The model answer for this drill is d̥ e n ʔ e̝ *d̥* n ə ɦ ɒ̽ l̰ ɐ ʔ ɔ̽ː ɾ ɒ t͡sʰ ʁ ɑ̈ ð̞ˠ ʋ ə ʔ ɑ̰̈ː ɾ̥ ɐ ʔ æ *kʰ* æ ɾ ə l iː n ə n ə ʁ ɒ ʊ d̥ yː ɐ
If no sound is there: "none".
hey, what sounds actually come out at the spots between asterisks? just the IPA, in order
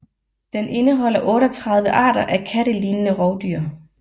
none, kʰ

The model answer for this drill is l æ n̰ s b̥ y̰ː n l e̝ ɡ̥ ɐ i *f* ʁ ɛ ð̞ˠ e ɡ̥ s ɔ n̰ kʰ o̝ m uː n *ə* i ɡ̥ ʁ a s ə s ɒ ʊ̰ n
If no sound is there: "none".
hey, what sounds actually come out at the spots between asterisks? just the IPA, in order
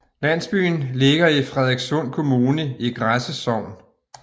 f, ə

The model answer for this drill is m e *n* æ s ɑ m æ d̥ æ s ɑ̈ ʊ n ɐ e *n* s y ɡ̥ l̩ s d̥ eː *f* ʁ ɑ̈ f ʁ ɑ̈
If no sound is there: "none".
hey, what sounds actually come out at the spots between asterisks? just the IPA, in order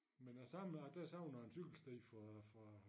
n, n, f

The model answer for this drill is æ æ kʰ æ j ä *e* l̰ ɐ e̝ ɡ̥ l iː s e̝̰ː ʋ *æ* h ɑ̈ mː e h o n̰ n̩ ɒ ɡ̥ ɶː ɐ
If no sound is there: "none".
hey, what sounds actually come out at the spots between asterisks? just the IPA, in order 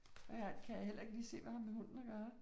e, æ

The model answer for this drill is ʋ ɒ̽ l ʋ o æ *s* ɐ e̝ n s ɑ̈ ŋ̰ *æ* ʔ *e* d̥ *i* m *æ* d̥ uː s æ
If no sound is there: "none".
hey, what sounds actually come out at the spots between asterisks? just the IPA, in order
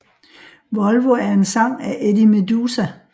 none, æ, e, i, e

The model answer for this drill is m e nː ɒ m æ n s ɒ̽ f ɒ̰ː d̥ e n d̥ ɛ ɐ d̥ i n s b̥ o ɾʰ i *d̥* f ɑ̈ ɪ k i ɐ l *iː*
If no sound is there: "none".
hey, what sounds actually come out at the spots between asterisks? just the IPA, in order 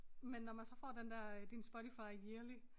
none, i

